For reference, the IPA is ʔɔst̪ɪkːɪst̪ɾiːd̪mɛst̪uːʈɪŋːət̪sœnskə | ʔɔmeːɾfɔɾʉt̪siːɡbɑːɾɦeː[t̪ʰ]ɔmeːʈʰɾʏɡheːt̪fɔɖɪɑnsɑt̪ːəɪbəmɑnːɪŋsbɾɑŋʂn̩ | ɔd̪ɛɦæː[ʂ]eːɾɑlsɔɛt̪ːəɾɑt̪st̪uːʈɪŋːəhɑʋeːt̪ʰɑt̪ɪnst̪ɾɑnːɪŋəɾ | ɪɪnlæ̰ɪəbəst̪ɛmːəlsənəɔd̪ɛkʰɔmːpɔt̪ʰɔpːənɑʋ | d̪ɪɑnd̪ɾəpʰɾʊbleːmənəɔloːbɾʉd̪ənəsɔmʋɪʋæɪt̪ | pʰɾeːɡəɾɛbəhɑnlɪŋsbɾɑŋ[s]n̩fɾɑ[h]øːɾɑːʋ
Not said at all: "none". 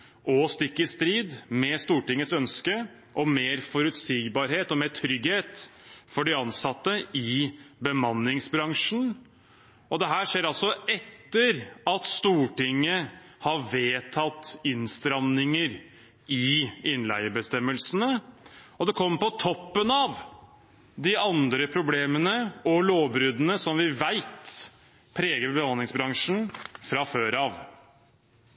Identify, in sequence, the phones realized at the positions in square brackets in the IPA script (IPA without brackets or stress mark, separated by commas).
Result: t̪, ʂ, ʂ, f